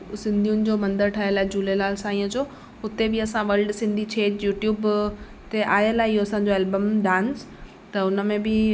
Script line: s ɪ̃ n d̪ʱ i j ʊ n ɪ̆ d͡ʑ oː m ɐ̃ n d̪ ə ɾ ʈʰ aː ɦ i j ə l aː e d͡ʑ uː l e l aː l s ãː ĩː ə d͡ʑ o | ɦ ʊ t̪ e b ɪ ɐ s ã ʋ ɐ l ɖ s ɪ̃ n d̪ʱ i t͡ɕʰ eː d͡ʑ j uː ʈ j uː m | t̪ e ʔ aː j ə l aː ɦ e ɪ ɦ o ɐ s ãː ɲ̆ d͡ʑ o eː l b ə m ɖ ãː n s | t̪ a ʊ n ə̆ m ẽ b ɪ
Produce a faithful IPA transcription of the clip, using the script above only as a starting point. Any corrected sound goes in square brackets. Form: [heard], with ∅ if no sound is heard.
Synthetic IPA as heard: s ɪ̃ n d̪ʱ i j ʊ n ɪ̆ d͡ʑ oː m ɐ̃ n d̪ ə ɾ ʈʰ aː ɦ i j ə l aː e d͡ʑ uː l e l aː l s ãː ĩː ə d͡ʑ o | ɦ ʊ t̪ e b ɪ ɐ s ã ʋ ɐ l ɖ s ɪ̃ n d̪ʱ i t͡ɕʰ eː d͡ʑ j uː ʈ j uː [b] | t̪ e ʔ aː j ə l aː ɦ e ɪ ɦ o ɐ s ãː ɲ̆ d͡ʑ o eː l b ə m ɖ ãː n s | t̪ [ɐ] ʊ n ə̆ m ẽ b ɪ

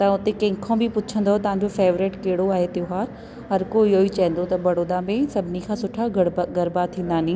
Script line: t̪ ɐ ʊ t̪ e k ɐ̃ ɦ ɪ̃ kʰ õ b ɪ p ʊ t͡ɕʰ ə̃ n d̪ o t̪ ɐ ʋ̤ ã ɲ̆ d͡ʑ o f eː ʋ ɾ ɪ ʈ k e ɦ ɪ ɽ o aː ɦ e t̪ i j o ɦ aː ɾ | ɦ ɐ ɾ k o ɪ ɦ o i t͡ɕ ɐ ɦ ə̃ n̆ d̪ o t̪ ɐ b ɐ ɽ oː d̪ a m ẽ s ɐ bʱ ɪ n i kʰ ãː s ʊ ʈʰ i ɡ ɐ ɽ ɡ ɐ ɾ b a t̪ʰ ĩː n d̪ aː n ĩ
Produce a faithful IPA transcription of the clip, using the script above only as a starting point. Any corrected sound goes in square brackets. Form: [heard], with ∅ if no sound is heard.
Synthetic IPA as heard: t̪ ɐ ʊ t̪ e k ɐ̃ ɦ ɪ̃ kʰ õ b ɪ p ʊ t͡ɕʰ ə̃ n d̪ o t̪ ɐ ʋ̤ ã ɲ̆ d͡ʑ o f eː ʋ ɾ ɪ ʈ k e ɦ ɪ ɽ o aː ɦ e t̪ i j o ɦ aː ɾ | ɦ ɐ ɾ k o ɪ ɦ o i t͡ɕ ɐ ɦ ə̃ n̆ d̪ o t̪ ɐ b ɐ ɽ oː d̪ a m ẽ s ɐ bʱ ɪ n i kʰ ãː s ʊ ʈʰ [a] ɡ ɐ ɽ ɡ ɐ ɾ b a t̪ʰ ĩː n d̪ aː n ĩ

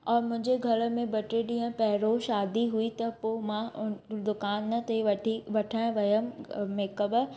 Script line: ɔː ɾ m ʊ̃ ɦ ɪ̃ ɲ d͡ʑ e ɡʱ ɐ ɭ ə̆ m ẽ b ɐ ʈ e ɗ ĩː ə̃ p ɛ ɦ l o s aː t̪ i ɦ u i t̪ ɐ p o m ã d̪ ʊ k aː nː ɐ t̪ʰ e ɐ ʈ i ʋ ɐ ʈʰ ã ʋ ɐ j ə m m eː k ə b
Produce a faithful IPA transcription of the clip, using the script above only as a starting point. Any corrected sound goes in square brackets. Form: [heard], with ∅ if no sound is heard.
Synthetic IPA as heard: ɔː ɾ m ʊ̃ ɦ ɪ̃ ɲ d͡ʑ e ɡʱ ɐ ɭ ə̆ m ẽ b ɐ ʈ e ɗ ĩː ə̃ p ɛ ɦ [ɾ] o [ʃ] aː [d̪] i ɦ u i t̪ ɐ p o m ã d̪ ʊ k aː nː ɐ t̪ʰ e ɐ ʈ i ʋ ɐ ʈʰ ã ʋ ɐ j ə m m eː k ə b

